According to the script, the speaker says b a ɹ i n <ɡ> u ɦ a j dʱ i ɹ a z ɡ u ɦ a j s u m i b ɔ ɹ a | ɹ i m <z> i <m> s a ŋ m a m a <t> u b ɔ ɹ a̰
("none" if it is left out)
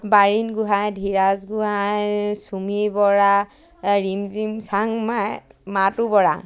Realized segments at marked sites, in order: ɡ, z, m, t

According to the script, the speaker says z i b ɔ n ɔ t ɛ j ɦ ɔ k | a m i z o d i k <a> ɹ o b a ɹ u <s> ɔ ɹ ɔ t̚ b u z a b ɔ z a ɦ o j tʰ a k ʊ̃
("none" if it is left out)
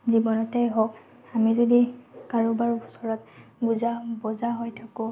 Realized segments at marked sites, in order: a, s

